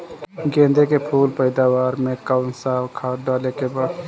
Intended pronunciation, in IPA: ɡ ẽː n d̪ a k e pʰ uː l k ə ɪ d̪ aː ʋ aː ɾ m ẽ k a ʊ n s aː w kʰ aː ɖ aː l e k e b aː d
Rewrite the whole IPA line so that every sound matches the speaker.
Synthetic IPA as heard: ɡ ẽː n d̪ e k e pʰ uː l p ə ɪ d̪ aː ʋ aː ɾ m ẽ k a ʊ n s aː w kʰ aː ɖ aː l e k e b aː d